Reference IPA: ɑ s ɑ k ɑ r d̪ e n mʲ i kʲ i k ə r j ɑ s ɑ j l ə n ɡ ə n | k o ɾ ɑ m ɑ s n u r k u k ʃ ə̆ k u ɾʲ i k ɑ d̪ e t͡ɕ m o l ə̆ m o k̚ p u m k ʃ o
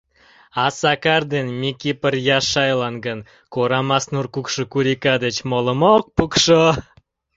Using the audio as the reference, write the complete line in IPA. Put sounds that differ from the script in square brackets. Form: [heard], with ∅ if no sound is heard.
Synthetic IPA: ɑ s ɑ k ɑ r d̪ e n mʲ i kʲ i [p] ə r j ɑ [ʃ] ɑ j l [ɑ] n ɡ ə n | k o ɾ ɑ m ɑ s n u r k u k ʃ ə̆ k u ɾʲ i k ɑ d̪ e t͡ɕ m o l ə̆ m o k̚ p u [∅] k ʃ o